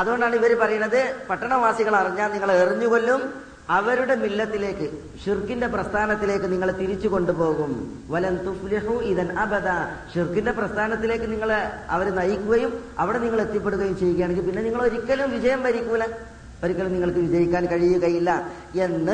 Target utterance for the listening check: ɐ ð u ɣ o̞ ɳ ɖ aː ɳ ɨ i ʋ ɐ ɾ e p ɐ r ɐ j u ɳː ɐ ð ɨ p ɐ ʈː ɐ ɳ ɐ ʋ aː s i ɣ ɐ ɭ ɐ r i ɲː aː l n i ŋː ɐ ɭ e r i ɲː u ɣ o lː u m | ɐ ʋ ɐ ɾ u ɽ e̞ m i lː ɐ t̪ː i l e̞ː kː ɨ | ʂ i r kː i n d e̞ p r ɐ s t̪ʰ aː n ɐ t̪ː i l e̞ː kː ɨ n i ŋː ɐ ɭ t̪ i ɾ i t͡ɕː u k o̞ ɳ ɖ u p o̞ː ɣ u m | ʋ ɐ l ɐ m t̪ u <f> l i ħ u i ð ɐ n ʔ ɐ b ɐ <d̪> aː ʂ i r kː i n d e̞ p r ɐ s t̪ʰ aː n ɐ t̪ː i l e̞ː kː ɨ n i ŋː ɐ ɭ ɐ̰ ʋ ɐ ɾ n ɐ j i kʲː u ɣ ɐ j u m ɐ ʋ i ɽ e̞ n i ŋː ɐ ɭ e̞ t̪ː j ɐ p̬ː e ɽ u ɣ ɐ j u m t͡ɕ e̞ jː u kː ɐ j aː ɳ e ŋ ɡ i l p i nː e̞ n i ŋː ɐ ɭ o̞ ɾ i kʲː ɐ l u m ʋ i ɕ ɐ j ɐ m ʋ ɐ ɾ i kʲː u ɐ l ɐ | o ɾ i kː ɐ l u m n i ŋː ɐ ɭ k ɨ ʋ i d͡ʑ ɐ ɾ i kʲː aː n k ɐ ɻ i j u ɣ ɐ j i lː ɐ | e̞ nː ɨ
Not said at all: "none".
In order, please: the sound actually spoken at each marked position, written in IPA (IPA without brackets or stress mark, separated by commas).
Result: f, d̪